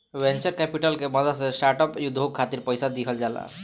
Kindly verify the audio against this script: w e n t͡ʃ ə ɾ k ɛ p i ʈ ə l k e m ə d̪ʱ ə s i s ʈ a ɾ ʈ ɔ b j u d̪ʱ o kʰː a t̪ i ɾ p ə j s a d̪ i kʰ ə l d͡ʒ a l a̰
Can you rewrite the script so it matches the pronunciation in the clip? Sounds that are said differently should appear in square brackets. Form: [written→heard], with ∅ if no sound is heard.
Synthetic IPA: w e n t͡ʃ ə ɾ k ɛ p i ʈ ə l k e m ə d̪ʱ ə s [i→e] s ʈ a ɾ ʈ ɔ [b→p] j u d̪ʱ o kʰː a t̪ i ɾ p ə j s a d̪ i kʰ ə l d͡ʒ a l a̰